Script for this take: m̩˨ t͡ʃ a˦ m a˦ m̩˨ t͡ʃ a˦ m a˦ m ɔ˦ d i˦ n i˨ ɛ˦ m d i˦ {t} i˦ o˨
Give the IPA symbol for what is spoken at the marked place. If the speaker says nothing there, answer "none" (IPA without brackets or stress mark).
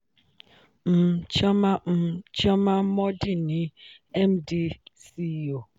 s